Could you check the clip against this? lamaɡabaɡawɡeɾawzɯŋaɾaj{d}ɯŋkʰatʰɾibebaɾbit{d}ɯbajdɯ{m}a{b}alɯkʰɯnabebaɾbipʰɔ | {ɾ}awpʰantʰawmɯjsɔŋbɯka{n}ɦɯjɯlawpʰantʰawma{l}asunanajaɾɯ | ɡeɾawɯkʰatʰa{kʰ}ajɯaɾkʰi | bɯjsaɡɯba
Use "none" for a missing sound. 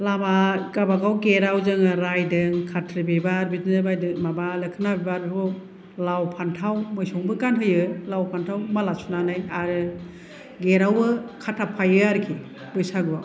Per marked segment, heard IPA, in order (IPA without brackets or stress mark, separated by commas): d, n, m, b, l, n, l, pʰ